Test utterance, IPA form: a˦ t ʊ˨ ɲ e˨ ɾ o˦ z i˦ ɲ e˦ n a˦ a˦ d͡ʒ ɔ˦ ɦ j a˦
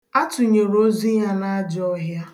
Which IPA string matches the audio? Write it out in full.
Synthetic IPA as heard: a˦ t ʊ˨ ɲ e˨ ɾ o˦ z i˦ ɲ a˦ n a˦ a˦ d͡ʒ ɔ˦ ɦ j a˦

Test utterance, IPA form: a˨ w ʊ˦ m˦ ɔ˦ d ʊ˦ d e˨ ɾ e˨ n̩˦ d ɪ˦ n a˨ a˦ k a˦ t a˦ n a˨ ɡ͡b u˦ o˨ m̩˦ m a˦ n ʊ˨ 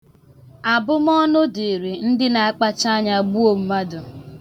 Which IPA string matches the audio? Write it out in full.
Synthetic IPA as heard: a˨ b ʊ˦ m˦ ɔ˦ n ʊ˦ d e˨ ɾ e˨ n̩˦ d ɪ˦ n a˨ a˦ k͡p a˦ t͡ʃ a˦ ɲ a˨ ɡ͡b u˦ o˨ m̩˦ m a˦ d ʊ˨

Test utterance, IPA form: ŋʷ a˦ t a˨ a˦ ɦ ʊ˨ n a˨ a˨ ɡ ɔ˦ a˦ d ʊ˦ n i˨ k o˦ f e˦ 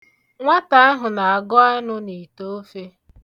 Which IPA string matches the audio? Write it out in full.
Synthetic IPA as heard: ŋʷ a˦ t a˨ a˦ ɦ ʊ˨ n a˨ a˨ ɡ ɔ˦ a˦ n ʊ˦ n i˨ t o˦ f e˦

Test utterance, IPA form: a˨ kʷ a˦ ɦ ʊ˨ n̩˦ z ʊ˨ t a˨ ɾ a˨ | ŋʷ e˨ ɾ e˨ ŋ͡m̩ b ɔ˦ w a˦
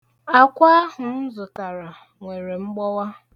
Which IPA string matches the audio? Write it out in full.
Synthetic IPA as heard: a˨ kʷ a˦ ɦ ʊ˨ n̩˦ z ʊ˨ t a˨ ɾ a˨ | ŋʷ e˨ ɾ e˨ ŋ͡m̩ ɡ͡b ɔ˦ w a˦

